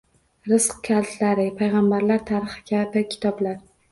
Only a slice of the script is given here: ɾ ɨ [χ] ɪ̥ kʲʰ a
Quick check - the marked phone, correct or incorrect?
correct